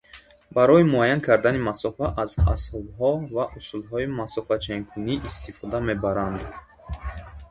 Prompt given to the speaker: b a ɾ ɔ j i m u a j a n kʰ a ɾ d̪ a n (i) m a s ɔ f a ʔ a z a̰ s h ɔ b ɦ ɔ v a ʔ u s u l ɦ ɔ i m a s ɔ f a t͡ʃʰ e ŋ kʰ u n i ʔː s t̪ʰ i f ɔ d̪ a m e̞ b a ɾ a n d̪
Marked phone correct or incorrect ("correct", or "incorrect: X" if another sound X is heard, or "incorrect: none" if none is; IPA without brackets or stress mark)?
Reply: correct